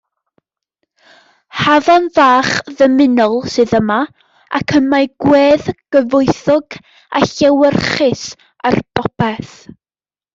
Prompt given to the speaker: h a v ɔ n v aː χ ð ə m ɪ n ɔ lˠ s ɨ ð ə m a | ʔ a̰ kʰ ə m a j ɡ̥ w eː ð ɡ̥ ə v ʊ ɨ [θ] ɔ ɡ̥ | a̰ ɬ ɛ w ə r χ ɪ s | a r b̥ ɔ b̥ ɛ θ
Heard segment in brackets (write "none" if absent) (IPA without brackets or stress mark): θ